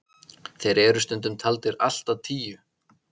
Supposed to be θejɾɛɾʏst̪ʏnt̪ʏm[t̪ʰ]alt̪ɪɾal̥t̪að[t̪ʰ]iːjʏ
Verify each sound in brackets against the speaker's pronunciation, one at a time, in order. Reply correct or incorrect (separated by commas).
correct, correct